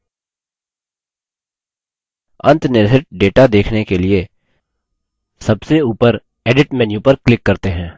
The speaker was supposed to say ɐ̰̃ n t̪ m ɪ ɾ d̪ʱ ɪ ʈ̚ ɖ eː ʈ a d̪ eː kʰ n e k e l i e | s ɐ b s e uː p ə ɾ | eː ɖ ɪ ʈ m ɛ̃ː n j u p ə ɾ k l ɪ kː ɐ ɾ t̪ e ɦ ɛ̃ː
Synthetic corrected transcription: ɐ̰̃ n t̪ n ɪ ɾ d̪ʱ ɪ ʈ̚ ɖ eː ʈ a d̪ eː kʰ n e k e l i e | s ɐ b s e uː p ə ɾ | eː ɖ ɪ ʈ m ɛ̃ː n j u p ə ɾ k l ɪ kː ɐ ɾ t̪ e ɦ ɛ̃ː

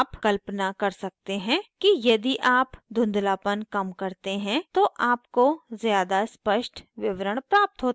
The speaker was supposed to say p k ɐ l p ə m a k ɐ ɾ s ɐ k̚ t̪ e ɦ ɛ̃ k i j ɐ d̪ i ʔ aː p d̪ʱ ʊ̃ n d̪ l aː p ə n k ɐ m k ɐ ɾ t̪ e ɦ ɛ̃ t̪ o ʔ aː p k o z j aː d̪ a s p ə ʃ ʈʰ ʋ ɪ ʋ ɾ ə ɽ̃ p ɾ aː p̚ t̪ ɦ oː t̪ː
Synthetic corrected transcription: p k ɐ l p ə n a k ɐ ɾ s ɐ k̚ t̪ e ɦ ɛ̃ k i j ɐ d̪ i ʔ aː p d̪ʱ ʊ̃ n d̪ l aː p ə n k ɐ m k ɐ ɾ t̪ e ɦ ɛ̃ t̪ o ʔ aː p k o z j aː d̪ a s p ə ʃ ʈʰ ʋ ɪ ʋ ɾ ə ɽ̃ p ɾ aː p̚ t̪ ɦ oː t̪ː

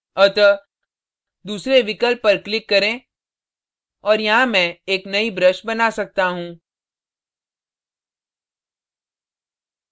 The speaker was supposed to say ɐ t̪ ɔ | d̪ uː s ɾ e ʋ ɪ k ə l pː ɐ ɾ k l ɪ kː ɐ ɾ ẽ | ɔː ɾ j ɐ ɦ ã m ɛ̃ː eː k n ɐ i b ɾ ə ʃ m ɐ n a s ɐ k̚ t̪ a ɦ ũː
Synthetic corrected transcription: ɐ t̪ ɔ | d̪ uː s ɾ e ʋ ɪ k ə l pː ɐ ɾ k l ɪ kː ɐ ɾ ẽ | ɔː ɾ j ɐ ɦ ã m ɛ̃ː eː k n ɐ i b ɾ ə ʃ b ɐ n a s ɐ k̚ t̪ a ɦ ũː

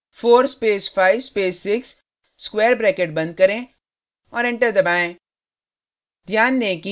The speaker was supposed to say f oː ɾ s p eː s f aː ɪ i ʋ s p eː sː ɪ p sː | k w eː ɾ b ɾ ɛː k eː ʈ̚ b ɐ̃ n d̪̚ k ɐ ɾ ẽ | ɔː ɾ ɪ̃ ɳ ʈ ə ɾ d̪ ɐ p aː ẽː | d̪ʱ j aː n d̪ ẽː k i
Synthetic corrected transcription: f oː ɾ s p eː s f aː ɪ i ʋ s p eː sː ɪ k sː | k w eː ɾ b ɾ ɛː k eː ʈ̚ b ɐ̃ n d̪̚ k ɐ ɾ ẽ | ɔː ɾ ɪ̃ ɳ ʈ ə ɾ d̪ ɐ b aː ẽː | d̪ʱ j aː n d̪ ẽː k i

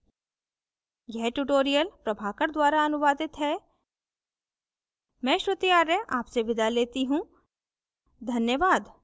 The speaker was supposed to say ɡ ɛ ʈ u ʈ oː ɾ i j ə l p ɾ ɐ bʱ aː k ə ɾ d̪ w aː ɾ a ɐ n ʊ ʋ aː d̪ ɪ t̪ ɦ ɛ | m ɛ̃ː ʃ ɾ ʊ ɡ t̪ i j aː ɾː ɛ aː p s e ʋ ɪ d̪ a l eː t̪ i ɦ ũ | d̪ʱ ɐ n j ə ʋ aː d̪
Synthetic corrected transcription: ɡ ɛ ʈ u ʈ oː ɾ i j ə l p ɾ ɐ bʱ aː k ə ɾ d̪ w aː ɾ a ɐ n ʊ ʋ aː d̪ ɪ t̪ ɦ ɛ | m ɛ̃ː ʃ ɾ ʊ t̪ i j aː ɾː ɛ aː p s e ʋ ɪ d̪ a l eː t̪ i ɦ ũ | d̪ʱ ɐ n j ə ʋ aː d̪

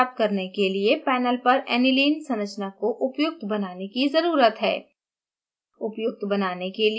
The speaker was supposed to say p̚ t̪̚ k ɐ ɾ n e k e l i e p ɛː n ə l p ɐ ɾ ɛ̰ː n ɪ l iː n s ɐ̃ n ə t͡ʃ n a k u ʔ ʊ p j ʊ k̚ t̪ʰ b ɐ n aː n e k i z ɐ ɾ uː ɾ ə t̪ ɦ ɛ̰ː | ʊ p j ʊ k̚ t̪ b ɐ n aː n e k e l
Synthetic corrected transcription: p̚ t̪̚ k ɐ ɾ n e k e l i e p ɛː n ə l p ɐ ɾ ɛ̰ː n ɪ l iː n s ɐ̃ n ə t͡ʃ n a k o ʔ ʊ p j ʊ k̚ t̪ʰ b ɐ n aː n e k i z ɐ ɾ uː ɾ ə t̪ ɦ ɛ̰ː | ʊ p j ʊ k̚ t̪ b ɐ n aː n e k e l

